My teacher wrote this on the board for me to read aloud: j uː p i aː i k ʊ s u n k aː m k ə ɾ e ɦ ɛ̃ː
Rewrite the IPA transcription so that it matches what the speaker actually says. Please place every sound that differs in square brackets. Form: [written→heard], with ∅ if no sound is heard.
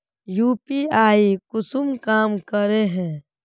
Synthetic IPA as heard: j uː p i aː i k ʊ s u [n→m] k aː m k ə ɾ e ɦ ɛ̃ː